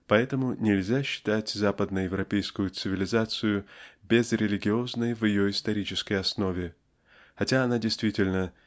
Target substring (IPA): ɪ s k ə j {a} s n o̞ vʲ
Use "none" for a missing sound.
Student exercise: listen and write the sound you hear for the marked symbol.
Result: ɐ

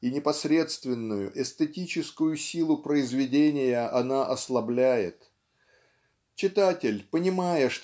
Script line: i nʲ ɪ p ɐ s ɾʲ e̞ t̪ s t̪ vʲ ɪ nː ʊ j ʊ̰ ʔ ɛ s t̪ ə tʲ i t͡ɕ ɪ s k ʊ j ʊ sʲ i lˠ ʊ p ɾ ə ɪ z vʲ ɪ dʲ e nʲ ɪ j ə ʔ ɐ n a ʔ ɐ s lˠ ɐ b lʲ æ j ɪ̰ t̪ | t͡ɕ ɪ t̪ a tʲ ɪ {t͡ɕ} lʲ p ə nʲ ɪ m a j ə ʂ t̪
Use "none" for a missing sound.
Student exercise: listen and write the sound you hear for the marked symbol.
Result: none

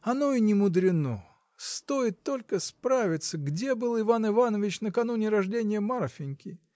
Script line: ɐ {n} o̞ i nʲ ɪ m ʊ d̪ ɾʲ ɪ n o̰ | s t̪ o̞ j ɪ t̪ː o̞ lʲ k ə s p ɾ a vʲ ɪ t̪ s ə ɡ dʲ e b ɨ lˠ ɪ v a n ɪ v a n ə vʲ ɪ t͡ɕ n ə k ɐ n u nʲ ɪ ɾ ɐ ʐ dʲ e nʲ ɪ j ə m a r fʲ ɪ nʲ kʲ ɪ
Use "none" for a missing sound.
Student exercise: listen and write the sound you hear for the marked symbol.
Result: n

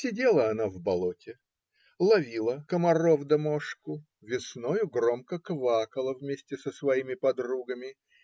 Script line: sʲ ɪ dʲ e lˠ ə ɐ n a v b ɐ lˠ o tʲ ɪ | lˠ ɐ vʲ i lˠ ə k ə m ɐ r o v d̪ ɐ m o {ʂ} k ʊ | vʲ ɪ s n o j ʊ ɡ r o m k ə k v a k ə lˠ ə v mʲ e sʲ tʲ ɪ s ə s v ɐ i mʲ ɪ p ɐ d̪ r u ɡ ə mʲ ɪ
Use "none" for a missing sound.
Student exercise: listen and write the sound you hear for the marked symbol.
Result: ʂ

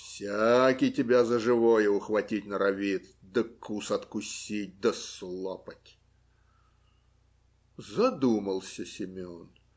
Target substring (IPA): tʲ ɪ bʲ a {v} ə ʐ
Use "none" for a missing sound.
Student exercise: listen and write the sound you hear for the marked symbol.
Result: z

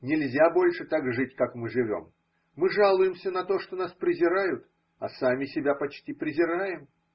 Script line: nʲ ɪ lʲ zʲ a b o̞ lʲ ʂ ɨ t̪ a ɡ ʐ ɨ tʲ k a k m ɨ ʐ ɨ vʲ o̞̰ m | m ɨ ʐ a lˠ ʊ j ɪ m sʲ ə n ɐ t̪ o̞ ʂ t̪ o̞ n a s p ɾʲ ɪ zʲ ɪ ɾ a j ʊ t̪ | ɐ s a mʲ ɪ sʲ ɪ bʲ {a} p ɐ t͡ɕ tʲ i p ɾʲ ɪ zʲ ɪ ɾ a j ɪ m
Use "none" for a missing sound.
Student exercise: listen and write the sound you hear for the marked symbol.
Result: a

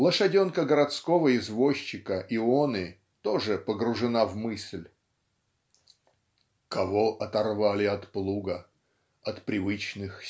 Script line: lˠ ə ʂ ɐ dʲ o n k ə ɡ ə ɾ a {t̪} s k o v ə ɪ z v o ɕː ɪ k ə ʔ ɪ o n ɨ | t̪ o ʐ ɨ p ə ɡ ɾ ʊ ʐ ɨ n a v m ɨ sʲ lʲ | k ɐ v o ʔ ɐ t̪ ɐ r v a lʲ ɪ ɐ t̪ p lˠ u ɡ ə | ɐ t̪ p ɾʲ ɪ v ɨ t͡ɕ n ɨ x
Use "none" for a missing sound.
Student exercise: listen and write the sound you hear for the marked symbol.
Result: t̪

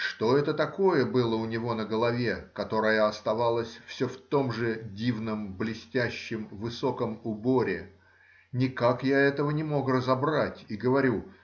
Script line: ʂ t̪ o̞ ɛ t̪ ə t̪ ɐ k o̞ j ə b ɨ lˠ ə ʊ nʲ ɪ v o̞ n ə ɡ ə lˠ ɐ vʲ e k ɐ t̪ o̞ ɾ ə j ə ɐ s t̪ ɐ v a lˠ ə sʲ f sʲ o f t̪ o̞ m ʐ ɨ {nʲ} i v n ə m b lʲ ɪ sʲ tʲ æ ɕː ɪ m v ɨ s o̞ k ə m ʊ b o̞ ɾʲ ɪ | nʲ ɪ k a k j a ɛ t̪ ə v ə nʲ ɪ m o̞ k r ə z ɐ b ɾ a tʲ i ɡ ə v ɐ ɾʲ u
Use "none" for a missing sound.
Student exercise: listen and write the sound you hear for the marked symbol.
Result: dʲ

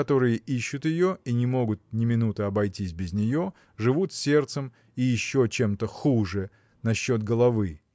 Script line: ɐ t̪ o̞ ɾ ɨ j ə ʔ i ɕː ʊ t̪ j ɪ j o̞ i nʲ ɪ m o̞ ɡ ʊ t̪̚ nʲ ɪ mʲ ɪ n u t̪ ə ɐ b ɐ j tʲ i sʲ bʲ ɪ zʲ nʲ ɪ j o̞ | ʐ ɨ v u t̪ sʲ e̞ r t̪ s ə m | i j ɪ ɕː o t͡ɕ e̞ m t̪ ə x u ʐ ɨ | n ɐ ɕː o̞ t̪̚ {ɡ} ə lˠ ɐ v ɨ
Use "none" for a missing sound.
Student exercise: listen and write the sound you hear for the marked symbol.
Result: ɡ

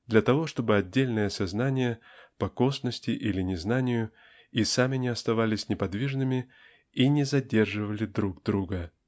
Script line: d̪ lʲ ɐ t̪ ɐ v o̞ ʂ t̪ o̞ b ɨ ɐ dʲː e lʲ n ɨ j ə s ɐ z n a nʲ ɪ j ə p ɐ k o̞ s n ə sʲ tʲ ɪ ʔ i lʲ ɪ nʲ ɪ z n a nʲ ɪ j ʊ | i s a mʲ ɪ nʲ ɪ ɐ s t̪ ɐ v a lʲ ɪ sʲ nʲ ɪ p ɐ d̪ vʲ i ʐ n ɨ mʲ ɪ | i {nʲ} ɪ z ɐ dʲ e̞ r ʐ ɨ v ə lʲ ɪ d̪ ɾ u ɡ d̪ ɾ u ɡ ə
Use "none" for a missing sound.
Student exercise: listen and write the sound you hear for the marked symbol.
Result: nʲ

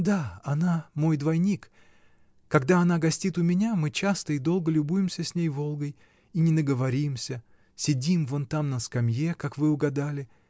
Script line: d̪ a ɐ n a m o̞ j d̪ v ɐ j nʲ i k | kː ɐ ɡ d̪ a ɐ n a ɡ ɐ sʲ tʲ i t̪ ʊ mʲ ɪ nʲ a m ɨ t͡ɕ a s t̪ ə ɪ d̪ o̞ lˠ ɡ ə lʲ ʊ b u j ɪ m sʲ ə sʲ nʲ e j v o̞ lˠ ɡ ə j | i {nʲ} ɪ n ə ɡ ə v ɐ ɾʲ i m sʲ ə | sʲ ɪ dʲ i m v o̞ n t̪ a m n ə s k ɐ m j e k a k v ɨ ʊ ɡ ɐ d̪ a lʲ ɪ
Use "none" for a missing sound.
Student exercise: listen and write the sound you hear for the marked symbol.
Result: nʲ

